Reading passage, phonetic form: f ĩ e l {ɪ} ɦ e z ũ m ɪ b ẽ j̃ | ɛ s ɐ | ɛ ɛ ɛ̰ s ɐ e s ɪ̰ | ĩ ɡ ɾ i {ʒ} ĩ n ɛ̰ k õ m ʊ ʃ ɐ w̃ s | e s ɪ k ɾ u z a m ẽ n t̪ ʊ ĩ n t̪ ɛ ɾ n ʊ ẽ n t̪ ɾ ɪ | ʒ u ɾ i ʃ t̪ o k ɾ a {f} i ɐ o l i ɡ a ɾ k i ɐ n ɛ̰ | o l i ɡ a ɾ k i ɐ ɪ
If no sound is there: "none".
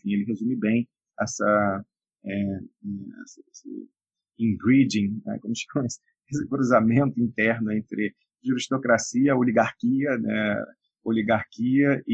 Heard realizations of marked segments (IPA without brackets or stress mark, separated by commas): ɪ, d͡ʒ, s